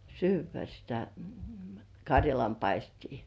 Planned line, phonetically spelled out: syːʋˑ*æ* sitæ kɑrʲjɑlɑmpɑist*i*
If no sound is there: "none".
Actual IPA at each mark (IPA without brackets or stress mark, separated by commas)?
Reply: æ, iː